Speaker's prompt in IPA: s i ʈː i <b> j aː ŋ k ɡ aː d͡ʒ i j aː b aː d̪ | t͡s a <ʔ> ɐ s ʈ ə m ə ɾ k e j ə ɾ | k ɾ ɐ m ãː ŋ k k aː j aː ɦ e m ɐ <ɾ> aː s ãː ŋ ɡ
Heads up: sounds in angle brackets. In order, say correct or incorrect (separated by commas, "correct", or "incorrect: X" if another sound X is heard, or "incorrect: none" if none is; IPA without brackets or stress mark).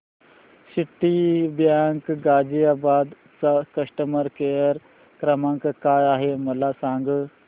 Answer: correct, incorrect: k, incorrect: l